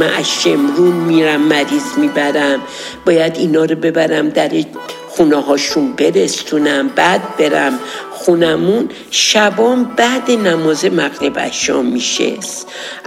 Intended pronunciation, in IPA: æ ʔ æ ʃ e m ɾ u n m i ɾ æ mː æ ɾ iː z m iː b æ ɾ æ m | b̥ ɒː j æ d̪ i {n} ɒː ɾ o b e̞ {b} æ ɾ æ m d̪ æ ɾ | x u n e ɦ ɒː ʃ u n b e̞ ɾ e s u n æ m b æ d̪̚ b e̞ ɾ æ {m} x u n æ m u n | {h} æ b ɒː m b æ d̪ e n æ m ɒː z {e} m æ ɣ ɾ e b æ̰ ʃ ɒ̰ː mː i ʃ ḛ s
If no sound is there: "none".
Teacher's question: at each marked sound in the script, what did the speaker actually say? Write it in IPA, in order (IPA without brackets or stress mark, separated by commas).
n, b, m, ʃ, e